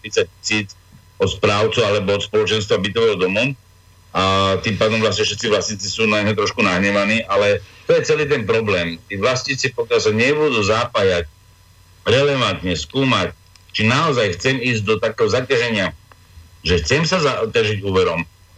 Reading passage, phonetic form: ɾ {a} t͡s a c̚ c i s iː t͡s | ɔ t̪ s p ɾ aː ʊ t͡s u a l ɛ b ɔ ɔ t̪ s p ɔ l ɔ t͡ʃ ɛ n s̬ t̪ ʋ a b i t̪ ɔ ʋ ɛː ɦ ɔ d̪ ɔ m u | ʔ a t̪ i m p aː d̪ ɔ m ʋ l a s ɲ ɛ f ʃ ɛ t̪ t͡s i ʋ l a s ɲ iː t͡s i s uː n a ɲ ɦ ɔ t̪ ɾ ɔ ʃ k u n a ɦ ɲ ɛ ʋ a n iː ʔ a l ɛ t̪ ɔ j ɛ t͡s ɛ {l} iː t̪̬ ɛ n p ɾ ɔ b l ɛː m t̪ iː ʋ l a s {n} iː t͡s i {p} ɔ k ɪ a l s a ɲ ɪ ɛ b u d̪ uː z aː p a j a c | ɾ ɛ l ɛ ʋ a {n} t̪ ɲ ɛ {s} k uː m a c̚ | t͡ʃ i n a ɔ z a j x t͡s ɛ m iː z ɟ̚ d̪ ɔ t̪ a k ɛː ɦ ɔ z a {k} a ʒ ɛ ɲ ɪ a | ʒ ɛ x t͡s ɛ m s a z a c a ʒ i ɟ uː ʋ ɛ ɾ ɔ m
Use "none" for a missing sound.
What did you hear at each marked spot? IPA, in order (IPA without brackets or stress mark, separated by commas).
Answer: i, l, ɲ, p, n, s, c